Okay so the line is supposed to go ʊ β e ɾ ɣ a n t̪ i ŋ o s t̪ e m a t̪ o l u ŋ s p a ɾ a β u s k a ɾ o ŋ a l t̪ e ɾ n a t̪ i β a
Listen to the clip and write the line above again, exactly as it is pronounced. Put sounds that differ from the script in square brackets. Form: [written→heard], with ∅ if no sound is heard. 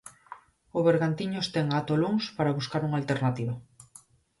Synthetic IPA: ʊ β e ɾ ɣ a n t̪ i [ŋ→ɲ] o s t̪ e [m→ŋ] a t̪ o l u ŋ s p a ɾ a β u s k a ɾ [o→u] ŋ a l t̪ e ɾ n a t̪ i β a

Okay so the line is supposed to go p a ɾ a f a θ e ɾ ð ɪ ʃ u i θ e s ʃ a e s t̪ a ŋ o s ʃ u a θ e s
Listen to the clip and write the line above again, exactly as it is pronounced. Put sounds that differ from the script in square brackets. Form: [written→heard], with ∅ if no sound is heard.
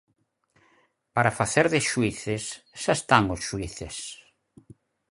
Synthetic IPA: p a ɾ a f a θ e ɾ ð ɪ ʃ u i θ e s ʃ a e s t̪ a ŋ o s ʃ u [a→i] θ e s

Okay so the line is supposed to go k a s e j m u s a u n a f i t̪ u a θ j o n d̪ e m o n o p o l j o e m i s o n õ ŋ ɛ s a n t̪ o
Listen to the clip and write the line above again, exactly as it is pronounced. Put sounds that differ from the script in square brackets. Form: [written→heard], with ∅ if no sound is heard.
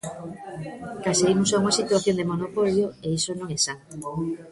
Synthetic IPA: k a s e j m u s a u [n→ŋ] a [f→s] i t̪ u a θ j o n d̪ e m o n o p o l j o e [m→∅] i s o n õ ŋ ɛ s a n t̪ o

